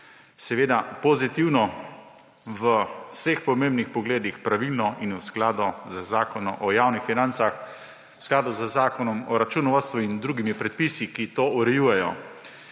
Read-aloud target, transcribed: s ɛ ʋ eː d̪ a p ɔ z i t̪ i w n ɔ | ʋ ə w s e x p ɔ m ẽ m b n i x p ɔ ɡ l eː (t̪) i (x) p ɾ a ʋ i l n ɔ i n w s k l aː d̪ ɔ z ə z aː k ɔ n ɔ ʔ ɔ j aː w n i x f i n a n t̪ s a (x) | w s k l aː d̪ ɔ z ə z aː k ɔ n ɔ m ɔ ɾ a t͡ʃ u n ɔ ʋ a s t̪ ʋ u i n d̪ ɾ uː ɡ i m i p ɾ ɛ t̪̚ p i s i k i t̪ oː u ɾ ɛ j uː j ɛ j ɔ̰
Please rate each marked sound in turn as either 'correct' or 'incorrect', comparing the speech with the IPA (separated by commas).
incorrect, correct, correct